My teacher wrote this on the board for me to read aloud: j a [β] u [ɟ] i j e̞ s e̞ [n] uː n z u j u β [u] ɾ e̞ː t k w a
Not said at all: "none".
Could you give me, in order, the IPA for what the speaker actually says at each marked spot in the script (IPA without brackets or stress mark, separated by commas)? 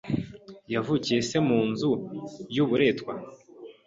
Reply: v, c, m, u